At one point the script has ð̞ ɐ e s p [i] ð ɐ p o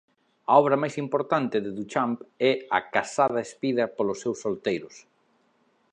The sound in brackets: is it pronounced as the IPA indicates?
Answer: yes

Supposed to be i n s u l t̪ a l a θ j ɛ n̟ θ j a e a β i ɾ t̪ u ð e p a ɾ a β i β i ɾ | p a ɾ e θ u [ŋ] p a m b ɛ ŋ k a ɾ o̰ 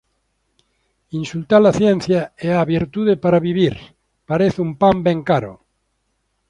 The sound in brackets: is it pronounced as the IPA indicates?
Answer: no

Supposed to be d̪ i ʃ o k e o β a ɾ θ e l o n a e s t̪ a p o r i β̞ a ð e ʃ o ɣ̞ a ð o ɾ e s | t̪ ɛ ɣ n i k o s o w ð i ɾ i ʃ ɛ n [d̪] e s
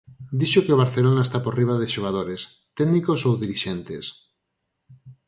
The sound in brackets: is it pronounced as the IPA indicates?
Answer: no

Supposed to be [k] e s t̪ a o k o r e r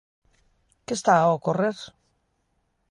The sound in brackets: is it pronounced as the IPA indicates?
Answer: yes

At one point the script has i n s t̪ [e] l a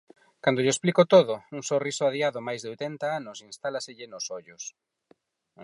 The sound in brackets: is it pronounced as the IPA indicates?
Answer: no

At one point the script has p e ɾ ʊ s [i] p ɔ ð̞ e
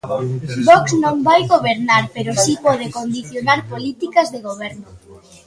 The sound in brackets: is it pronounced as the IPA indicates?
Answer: yes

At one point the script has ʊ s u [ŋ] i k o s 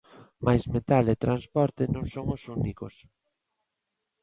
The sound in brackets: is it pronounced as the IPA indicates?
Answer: no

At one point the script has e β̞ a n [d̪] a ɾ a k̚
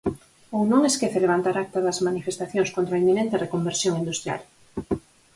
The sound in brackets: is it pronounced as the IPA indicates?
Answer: no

